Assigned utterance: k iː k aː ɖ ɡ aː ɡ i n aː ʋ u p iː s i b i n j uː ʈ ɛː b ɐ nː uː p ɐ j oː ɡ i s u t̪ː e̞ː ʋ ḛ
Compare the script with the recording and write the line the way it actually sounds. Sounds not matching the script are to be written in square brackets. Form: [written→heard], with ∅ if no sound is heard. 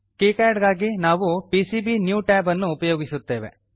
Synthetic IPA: k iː k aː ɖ ɡ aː ɡ i n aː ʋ u p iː s i b i n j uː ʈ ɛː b ɐ nː uː p ɐ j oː ɡ i s u t̪ː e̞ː ʋ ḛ